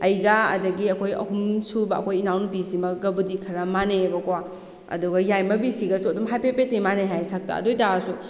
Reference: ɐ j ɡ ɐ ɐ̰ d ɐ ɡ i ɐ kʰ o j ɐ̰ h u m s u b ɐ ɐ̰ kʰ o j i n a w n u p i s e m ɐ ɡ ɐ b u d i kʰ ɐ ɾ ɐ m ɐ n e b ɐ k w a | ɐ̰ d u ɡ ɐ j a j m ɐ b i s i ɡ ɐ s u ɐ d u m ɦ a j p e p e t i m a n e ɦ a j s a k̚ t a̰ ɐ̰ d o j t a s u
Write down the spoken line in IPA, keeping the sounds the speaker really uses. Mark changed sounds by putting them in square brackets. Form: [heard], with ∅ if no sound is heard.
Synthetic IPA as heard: ɐ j ɡ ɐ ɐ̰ d ɐ ɡ i ɐ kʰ o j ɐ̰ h u m s u b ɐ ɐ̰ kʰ o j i n a w n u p i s [i] m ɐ ɡ ɐ b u d i kʰ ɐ ɾ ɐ m [a] n e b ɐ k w a | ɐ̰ d u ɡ ɐ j a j m ɐ b i s i ɡ ɐ s u ɐ d u m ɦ a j p e p e t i m a n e ɦ a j s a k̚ t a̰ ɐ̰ d o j t a s u